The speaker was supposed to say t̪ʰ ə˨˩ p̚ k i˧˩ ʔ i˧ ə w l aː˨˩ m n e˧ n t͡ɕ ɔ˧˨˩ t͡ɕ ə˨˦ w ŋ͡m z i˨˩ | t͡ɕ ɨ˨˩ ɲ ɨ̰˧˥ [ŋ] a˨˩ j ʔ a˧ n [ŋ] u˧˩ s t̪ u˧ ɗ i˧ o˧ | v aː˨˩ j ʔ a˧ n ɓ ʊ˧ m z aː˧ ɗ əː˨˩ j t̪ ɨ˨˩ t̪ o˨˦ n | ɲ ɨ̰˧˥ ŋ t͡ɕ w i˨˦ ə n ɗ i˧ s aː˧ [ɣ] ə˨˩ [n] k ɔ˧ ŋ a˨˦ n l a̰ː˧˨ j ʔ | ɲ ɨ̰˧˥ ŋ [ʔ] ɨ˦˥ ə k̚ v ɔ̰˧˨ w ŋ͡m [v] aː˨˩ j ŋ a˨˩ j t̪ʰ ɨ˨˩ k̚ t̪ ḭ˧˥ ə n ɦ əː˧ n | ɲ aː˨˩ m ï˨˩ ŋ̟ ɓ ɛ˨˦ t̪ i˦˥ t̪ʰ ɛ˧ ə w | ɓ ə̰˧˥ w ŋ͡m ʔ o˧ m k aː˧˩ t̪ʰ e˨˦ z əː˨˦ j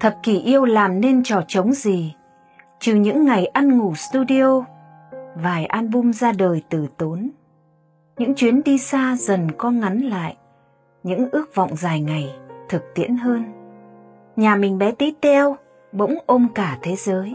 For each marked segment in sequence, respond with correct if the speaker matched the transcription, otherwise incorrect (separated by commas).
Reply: incorrect, correct, incorrect, correct, correct, incorrect